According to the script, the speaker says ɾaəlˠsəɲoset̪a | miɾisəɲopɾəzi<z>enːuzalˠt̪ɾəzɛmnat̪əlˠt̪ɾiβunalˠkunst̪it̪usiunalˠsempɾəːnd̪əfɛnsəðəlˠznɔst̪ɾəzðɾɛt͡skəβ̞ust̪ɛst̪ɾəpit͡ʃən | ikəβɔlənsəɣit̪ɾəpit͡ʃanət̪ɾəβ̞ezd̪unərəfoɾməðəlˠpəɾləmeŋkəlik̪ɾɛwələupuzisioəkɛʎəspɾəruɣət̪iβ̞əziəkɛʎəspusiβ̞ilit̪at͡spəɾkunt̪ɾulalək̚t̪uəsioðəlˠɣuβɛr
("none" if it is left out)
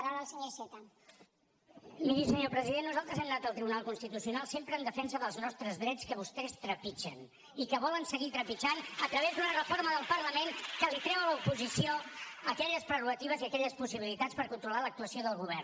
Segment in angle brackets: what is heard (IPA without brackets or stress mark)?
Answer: ð